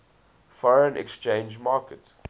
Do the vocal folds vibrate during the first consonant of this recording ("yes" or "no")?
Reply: no